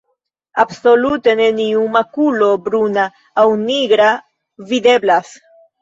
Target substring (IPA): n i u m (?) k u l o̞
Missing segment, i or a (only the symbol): a